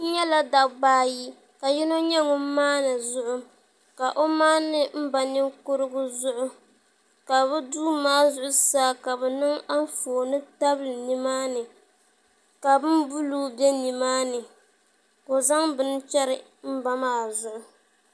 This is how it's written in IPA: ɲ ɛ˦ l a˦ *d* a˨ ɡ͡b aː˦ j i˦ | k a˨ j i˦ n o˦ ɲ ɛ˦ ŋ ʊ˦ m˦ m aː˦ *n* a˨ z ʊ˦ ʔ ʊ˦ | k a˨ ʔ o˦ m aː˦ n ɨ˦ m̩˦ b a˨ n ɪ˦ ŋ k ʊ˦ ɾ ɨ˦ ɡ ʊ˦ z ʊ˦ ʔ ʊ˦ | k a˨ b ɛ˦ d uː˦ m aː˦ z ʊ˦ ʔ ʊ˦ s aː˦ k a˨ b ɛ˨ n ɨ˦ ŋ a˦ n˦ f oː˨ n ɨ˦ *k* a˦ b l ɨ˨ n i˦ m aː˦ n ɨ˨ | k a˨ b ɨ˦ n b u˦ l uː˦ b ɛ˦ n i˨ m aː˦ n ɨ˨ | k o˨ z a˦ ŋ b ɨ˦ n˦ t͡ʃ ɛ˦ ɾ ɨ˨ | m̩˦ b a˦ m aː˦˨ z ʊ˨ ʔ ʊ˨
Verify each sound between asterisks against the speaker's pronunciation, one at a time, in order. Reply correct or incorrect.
correct, correct, incorrect

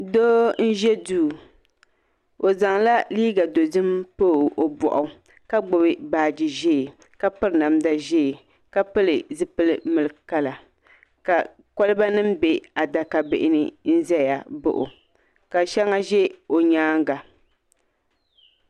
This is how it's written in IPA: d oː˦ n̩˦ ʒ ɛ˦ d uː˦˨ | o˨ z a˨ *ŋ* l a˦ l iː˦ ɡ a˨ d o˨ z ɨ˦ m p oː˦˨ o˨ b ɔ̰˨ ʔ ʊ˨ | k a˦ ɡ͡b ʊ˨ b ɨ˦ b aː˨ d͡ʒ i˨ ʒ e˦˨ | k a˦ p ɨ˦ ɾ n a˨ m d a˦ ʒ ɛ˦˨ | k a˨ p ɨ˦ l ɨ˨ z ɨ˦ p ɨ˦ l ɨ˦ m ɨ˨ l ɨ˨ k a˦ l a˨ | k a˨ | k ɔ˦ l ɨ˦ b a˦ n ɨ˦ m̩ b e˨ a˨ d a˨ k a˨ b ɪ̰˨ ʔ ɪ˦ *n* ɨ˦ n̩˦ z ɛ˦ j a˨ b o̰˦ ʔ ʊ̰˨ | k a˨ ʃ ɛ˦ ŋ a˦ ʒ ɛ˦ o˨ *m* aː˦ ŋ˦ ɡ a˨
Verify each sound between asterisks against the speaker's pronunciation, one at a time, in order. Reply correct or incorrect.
correct, correct, incorrect

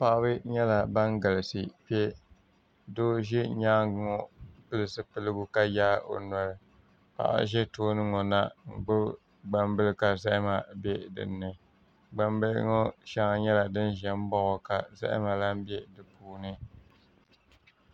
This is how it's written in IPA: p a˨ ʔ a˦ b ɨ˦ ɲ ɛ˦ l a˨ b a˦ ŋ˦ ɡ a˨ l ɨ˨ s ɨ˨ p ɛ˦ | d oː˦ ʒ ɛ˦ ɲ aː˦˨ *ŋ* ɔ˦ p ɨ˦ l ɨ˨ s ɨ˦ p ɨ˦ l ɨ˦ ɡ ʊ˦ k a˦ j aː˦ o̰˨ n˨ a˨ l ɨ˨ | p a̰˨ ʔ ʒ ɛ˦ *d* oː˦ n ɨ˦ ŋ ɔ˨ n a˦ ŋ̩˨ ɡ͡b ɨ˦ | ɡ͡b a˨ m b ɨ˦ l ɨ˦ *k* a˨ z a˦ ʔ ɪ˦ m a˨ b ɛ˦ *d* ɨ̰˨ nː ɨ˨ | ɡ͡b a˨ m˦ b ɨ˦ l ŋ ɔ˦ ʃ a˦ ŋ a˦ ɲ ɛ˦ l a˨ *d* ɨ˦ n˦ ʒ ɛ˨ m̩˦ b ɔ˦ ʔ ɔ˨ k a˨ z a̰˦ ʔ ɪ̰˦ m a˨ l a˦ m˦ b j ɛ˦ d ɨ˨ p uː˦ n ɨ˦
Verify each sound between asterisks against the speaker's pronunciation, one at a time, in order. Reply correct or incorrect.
correct, incorrect, correct, correct, correct

